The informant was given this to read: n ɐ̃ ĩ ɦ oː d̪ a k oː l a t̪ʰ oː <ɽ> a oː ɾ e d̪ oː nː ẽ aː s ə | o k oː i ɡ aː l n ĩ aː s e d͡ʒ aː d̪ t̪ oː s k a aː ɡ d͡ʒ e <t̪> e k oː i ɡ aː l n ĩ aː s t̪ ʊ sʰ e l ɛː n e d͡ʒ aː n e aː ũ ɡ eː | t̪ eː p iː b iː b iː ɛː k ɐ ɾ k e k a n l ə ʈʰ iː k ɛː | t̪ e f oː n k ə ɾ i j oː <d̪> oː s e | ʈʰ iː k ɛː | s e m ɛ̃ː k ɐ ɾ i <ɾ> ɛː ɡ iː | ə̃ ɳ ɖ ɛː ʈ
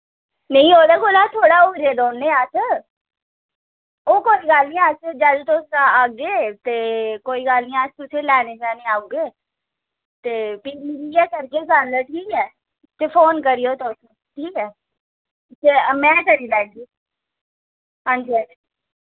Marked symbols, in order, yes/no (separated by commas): yes, yes, no, no